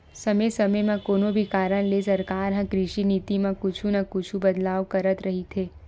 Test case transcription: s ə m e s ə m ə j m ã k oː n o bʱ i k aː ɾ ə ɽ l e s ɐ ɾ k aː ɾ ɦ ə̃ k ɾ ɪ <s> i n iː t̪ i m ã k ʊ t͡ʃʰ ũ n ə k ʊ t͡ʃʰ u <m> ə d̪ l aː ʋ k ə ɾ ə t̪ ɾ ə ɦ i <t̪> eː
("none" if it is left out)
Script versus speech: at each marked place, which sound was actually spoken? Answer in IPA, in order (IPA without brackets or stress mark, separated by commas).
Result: ʃ, b, t̪ʰ